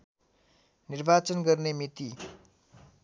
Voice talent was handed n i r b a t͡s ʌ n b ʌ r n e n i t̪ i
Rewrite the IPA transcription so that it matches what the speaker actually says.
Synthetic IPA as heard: n i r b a t͡s ʌ n ɡ ʌ r n e m i t̪ i